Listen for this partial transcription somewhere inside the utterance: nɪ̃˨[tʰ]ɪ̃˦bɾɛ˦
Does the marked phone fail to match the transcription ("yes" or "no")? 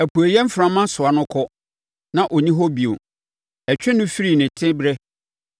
no